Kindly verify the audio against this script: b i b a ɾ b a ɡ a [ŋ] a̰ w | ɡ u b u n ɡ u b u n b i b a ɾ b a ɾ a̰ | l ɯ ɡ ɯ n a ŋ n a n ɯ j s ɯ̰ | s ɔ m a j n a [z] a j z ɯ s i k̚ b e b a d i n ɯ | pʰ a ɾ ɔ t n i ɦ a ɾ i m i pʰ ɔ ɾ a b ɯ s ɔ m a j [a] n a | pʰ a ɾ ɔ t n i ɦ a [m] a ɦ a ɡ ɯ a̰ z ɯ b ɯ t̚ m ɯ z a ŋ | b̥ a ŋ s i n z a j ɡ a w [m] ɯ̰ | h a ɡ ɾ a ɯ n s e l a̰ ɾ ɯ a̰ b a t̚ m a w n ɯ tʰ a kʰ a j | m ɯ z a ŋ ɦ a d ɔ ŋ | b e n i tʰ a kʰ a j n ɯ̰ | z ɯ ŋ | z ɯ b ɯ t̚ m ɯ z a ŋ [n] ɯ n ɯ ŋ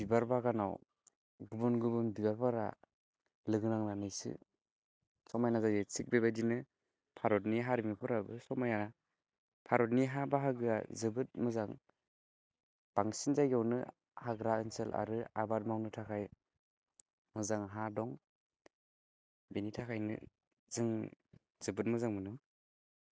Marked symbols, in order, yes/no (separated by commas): no, yes, yes, no, no, no